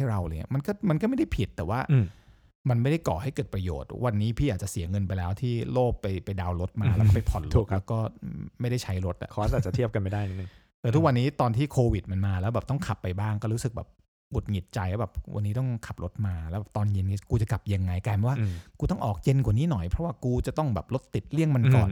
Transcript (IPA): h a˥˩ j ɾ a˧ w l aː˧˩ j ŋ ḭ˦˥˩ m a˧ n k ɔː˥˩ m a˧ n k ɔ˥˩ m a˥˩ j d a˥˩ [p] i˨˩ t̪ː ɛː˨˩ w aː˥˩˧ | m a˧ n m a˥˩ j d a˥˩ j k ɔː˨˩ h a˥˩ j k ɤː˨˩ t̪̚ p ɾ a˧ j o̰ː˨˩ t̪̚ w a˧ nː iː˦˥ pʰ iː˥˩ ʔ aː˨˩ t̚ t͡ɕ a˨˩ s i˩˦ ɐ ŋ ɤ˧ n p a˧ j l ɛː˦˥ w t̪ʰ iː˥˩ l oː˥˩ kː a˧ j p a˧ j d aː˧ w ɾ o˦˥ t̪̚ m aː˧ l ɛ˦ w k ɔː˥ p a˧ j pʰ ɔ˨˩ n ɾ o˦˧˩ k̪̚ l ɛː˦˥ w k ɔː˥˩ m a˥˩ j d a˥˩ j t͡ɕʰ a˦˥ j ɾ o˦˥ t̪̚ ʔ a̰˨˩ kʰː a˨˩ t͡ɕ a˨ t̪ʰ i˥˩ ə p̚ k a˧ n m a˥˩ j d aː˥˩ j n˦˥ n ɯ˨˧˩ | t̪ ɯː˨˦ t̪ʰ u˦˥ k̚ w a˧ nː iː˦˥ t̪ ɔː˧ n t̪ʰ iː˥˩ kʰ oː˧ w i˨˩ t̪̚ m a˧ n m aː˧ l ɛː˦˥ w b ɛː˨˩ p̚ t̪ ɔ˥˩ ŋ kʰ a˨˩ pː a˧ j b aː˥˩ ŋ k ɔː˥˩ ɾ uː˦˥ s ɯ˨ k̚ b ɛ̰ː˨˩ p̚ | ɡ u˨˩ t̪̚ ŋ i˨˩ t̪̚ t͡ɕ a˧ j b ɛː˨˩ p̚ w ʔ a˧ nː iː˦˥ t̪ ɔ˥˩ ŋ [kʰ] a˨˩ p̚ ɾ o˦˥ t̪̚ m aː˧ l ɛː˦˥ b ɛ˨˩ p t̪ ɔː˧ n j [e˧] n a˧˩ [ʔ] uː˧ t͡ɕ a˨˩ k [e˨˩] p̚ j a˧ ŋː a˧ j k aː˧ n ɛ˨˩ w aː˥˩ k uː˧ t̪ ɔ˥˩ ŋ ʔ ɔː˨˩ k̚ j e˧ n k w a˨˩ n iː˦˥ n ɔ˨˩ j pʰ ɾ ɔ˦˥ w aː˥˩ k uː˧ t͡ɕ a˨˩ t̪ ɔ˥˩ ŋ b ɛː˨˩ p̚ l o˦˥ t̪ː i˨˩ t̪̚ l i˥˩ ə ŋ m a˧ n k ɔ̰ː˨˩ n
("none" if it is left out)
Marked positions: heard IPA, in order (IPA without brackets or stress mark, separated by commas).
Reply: pʰ, kʰ, e˧, k, a˨˩